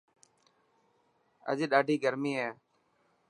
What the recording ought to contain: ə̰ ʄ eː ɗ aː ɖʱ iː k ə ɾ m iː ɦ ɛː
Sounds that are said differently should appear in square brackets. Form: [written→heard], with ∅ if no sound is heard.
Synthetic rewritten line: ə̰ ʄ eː ɗ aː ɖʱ iː [k→ɡ] ə ɾ m iː ɦ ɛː